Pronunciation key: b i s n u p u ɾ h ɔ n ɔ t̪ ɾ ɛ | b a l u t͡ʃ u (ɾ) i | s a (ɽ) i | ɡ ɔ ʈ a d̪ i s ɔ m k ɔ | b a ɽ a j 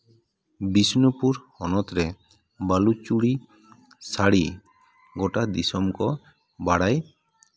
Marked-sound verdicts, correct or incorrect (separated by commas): incorrect, correct